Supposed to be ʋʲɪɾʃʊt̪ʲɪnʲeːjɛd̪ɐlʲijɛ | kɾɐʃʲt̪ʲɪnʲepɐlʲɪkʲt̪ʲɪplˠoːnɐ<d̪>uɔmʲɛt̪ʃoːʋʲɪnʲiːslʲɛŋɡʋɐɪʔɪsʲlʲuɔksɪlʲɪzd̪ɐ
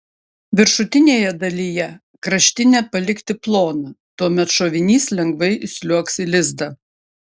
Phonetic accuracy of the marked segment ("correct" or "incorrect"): incorrect